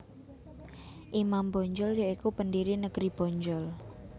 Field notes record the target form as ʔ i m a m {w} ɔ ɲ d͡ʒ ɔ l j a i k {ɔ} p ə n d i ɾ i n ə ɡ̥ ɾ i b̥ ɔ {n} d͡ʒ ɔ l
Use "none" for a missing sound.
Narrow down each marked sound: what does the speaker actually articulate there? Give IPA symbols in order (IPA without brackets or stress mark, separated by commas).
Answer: b, u, ɲ